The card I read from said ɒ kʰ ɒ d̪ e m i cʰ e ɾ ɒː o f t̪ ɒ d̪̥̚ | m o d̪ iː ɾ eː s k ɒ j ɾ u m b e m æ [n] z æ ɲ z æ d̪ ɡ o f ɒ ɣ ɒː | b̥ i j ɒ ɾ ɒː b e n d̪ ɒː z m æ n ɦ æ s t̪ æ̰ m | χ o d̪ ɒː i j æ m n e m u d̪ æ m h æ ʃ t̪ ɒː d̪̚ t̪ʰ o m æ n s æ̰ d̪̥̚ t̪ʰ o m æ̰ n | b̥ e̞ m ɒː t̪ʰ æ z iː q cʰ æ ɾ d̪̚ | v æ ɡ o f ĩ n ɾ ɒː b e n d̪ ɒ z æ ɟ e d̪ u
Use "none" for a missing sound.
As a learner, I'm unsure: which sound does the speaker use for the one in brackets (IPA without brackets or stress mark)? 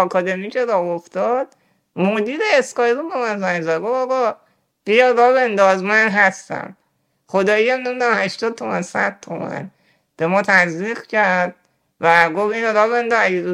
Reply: n